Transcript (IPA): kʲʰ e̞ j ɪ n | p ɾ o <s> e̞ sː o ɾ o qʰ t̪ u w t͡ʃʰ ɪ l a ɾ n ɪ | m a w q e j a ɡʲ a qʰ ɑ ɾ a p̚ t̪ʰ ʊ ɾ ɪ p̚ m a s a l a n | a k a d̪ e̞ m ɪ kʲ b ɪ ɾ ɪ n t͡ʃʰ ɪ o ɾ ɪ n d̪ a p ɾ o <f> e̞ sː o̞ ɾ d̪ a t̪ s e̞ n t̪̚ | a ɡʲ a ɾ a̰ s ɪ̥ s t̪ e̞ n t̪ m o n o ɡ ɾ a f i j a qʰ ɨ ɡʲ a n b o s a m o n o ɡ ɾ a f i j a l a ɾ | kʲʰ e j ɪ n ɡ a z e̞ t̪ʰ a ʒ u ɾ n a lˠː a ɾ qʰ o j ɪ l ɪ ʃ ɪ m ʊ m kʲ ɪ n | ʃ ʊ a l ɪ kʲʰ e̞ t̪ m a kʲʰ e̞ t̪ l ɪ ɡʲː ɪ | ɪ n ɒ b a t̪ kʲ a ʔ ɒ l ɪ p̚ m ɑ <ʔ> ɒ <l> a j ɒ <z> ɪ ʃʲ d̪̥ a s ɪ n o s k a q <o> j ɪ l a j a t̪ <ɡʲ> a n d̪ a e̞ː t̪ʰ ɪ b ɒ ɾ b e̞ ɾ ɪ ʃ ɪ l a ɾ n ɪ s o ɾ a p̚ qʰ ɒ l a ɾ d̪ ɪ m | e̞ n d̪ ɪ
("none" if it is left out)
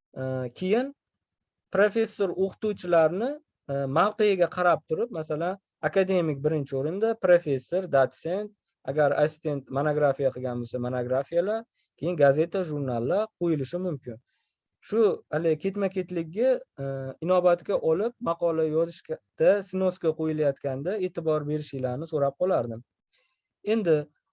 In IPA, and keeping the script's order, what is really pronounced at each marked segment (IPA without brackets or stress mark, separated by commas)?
f, f, q, l, z, o, kʲ